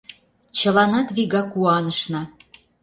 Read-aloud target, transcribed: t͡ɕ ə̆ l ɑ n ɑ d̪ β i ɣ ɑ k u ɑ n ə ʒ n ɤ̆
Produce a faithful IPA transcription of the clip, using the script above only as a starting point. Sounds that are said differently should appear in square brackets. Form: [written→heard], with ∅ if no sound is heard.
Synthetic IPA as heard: t͡ɕ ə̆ l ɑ n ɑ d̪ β i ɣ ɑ k u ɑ n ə [ʒ→ʃ] n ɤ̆